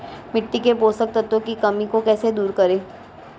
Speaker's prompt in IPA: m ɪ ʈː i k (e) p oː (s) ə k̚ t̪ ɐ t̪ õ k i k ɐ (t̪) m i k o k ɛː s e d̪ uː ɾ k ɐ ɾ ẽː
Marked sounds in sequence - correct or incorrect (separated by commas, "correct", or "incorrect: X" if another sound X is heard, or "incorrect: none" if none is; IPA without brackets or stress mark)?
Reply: correct, correct, incorrect: none